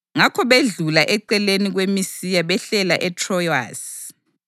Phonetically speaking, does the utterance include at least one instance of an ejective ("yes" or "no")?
no